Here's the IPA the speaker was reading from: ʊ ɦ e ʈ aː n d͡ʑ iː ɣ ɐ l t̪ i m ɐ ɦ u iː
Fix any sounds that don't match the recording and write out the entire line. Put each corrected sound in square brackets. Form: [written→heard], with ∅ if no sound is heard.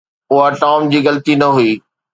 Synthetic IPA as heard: ʊ ɦ [e→a] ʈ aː [n→m] d͡ʑ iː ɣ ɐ l t̪ i [m→n] ɐ ɦ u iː